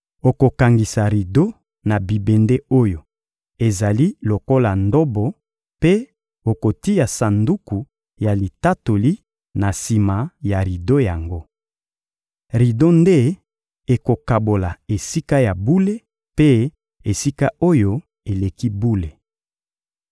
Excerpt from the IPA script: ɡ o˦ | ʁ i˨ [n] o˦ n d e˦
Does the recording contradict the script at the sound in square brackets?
yes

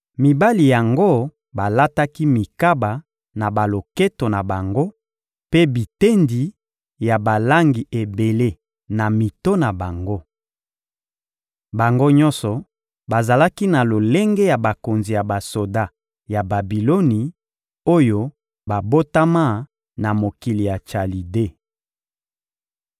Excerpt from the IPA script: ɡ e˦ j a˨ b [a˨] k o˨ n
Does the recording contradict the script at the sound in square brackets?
no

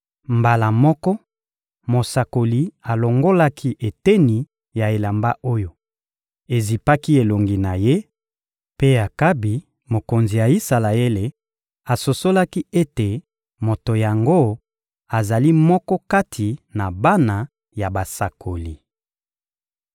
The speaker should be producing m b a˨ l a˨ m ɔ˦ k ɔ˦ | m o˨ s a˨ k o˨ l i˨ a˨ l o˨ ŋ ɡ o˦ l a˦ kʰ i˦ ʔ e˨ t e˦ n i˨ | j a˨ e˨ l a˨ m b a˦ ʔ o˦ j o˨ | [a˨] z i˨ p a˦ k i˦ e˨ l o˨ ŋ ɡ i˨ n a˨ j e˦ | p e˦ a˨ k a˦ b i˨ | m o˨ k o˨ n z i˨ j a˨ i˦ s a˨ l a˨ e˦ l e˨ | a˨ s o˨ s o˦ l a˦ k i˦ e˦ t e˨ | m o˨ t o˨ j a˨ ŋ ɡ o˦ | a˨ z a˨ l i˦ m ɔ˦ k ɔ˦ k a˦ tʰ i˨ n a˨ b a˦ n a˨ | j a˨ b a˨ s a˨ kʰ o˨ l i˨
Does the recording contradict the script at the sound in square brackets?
yes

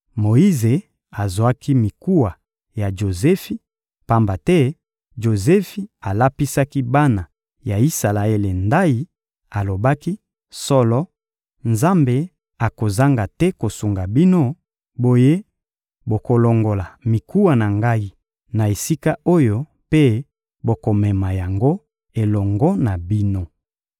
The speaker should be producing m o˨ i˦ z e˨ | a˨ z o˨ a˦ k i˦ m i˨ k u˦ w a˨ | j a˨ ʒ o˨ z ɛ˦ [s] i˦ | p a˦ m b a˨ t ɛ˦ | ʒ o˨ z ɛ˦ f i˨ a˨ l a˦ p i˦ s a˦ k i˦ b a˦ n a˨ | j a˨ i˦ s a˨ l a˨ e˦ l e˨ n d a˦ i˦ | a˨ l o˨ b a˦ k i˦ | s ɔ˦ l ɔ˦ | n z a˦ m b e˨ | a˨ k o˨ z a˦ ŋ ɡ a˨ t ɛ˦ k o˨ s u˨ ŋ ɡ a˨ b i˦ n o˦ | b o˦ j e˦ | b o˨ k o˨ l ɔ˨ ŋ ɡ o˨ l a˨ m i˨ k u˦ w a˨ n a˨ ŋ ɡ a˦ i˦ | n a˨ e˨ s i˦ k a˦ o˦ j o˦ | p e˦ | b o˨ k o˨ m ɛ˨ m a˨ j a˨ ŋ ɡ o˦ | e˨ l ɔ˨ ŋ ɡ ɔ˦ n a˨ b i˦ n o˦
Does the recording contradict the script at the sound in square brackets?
yes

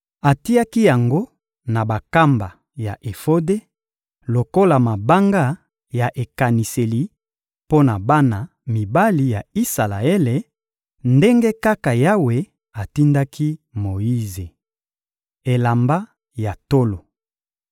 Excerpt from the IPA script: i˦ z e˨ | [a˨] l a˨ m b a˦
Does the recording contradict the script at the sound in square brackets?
yes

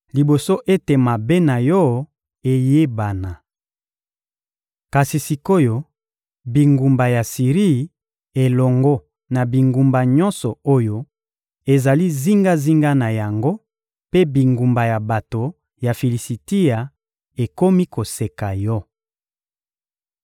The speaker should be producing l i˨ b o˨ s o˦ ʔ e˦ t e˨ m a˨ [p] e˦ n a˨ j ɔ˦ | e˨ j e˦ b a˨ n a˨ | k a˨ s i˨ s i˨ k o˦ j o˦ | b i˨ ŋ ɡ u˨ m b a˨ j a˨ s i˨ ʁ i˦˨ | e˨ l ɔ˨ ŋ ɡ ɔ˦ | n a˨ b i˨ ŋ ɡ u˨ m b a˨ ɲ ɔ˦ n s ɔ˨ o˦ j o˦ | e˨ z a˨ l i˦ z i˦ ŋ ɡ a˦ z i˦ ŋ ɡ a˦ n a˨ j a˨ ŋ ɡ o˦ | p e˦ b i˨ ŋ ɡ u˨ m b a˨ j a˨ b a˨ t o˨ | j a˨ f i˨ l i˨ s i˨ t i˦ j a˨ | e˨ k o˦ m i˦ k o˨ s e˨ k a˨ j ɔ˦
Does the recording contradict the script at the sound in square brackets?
yes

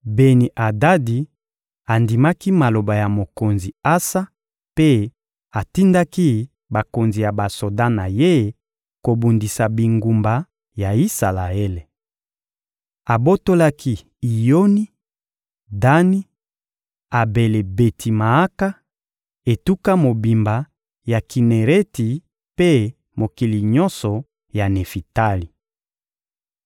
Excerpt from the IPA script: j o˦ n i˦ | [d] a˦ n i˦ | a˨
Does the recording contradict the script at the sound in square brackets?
no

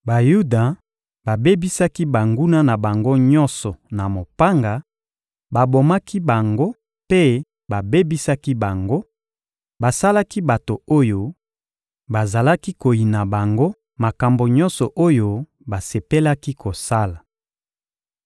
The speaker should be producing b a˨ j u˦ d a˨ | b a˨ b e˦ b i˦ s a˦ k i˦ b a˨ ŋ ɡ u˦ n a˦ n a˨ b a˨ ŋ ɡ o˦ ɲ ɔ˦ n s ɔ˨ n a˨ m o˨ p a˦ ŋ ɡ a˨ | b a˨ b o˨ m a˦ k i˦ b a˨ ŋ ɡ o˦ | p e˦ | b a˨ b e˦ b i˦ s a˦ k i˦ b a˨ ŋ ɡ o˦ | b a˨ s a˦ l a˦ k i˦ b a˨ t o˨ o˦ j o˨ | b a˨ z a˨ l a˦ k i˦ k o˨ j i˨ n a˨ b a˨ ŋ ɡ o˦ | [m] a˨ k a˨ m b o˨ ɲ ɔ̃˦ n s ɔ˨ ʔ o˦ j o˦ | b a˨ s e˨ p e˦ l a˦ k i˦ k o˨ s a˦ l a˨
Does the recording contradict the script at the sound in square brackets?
no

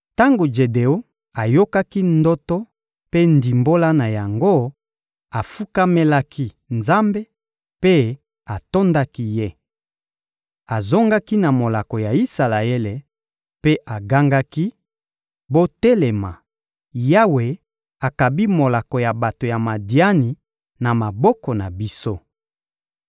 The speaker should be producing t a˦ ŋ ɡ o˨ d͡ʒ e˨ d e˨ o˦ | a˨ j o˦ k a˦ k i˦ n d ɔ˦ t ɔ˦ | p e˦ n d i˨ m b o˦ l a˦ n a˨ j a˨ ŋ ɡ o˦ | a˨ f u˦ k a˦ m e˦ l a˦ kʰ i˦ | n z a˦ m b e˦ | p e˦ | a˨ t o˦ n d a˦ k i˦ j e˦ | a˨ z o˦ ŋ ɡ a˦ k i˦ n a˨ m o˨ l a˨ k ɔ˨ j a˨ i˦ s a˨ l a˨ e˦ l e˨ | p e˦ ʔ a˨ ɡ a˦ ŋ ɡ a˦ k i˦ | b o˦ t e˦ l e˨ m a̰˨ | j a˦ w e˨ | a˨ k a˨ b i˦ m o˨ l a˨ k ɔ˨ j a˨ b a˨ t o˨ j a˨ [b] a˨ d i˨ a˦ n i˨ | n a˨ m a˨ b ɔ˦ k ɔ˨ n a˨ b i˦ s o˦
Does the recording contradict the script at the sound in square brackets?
yes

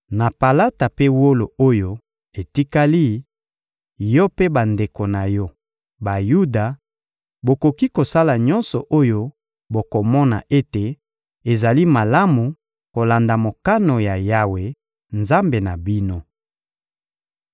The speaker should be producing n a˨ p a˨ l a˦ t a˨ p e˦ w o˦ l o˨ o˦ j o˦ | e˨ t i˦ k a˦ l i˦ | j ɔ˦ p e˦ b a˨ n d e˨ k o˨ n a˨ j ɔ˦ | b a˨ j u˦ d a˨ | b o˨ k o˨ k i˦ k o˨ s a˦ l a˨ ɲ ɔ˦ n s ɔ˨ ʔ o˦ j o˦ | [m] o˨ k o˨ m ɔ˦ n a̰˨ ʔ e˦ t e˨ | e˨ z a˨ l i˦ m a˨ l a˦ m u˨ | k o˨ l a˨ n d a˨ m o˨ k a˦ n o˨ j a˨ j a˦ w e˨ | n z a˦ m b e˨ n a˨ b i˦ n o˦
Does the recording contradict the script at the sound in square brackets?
yes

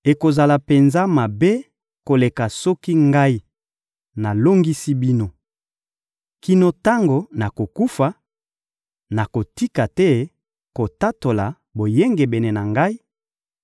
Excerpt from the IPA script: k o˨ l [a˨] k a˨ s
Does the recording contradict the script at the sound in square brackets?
yes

